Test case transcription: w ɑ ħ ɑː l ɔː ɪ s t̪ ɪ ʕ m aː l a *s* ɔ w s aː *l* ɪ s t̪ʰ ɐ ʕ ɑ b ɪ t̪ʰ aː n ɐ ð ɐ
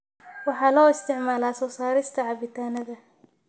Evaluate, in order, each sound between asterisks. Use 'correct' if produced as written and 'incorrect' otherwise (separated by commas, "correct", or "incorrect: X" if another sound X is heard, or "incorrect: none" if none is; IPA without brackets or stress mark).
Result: correct, incorrect: ɾ